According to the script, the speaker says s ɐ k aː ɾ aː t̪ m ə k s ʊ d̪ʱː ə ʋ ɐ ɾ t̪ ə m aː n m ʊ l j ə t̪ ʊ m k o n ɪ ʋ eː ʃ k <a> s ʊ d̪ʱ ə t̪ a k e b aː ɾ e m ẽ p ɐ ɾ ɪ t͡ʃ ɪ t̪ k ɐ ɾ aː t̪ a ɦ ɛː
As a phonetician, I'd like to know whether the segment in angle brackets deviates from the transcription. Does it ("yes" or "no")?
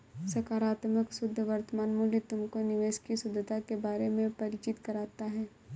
yes